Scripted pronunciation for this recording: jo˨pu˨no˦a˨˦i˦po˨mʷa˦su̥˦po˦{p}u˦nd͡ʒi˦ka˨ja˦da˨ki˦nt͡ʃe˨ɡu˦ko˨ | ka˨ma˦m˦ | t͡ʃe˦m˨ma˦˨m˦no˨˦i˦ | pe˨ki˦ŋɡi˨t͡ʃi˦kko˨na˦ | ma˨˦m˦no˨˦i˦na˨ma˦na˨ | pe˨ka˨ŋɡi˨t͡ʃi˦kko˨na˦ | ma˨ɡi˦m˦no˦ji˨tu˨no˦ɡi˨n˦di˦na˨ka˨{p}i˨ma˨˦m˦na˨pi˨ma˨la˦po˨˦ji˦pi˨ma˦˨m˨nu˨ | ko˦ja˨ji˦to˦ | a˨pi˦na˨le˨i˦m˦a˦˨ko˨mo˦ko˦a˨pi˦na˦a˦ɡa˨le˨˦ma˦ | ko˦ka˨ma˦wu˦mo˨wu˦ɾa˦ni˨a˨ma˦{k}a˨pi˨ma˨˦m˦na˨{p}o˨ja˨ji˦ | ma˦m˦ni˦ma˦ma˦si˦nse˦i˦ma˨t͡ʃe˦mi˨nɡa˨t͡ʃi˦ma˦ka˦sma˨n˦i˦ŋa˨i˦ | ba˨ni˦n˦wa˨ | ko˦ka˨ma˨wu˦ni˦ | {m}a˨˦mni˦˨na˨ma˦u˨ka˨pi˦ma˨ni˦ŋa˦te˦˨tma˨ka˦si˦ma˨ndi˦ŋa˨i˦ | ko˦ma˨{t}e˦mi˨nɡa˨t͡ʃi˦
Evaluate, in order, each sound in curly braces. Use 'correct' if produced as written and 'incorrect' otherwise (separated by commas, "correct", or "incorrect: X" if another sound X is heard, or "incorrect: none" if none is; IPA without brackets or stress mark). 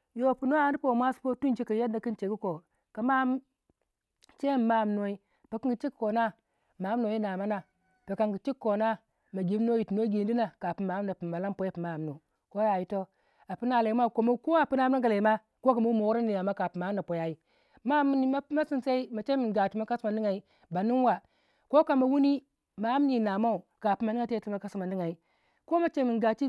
incorrect: t, correct, correct, correct, correct, incorrect: t͡ʃ